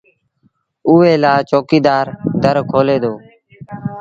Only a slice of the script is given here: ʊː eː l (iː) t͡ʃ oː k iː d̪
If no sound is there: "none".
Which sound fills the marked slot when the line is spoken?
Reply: aː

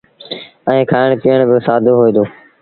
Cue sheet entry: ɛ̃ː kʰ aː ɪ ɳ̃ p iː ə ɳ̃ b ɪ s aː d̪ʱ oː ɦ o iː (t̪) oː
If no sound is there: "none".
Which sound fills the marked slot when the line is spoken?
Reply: d̪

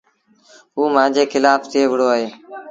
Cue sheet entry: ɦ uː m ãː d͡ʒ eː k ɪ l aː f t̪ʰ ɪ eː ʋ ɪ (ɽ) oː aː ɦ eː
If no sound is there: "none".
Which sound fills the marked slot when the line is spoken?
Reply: ɽ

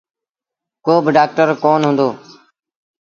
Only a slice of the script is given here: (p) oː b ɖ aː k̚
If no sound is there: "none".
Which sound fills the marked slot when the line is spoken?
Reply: k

